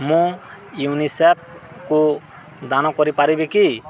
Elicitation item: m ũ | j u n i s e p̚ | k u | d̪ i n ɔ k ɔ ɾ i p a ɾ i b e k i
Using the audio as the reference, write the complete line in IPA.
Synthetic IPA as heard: m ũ | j u n i s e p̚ | k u | d̪ a n ɔ k ɔ ɾ i p a ɾ i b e k i